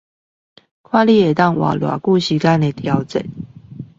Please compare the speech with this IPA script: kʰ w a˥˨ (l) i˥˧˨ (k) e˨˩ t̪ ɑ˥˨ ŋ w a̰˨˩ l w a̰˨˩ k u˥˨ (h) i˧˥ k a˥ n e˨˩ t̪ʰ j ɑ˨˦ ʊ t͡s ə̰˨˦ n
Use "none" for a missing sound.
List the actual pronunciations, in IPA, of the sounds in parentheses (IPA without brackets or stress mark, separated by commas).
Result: l, none, ɕ